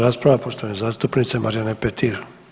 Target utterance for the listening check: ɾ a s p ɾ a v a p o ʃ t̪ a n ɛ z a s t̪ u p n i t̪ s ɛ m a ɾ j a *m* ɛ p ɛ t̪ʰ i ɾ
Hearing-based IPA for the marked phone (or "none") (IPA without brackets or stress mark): n